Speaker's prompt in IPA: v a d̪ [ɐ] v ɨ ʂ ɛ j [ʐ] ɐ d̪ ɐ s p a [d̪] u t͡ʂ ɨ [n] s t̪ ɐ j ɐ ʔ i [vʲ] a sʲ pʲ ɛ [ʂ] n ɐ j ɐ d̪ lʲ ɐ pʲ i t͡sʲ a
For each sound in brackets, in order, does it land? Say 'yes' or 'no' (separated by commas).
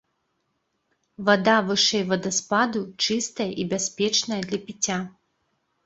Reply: no, no, yes, no, no, no